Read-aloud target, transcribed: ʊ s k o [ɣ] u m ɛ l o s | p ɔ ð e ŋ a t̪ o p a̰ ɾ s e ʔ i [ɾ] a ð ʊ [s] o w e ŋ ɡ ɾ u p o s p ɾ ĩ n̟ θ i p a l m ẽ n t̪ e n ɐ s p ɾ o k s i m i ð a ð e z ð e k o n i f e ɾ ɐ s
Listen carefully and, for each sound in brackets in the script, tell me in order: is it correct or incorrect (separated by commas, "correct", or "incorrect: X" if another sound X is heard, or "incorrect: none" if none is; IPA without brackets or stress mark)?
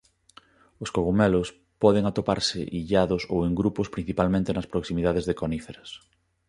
correct, incorrect: ʎ, correct